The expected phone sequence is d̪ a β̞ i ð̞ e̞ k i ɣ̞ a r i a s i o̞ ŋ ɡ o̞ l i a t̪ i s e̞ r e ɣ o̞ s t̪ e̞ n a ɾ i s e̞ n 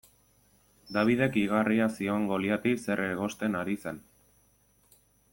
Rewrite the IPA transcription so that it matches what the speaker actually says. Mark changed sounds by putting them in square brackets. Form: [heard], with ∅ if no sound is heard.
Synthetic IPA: d̪ a β̞ i ð̞ e̞ k i ɣ̞ a r i a s i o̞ ŋ ɡ o̞ l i a t̪ i s e̞ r e ɣ o̞ s t̪ e̞ n a ɾ i s e̞ n